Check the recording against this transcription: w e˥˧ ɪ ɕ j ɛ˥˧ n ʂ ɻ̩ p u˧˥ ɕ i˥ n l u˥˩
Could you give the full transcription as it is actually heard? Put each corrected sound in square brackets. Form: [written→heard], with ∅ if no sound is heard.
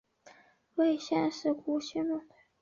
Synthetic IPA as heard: w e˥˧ ɪ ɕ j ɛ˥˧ n ʂ ɻ̩ [p→k] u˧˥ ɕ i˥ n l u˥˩